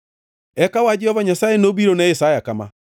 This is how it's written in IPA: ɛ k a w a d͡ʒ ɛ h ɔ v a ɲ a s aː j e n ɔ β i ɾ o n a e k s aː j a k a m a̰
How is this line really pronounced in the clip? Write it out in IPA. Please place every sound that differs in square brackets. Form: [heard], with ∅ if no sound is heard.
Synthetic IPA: ɛ k a w a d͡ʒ ɛ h ɔ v a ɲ a s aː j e n [o] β i ɾ o n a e [∅] s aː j a k a m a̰